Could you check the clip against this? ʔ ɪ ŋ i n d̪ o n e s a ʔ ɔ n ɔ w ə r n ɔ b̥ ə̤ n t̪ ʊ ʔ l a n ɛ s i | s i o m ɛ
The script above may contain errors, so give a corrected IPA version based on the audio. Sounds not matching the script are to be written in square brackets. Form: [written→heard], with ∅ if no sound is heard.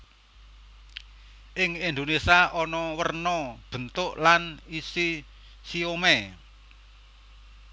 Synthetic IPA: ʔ ɪ ŋ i n d̪ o n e s a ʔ ɔ n ɔ w ə r n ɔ b̥ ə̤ n t̪ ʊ ʔ l a n [ɛ→i] s i | s i o m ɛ